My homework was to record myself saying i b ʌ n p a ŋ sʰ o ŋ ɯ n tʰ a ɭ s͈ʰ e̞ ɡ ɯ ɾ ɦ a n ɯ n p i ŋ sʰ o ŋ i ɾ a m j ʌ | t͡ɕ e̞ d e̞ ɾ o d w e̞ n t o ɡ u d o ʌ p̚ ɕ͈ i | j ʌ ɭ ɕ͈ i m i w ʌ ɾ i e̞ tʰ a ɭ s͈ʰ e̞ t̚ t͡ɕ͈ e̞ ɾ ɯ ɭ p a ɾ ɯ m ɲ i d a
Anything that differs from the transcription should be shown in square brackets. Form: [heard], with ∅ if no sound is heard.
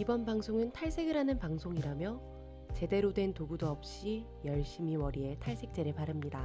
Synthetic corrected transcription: i b ʌ n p a ŋ sʰ o ŋ ɯ n tʰ a ɭ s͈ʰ e̞ ɡ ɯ ɾ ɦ a n ɯ n p [a] ŋ sʰ o ŋ i ɾ a m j ʌ | t͡ɕ e̞ d e̞ ɾ o d w e̞ n t o ɡ u d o ʌ p̚ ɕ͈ i | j ʌ ɭ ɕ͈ i m i w ʌ ɾ i e̞ tʰ a ɭ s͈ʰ e̞ [k̚] t͡ɕ͈ e̞ ɾ ɯ ɭ p a ɾ ɯ m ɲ i d a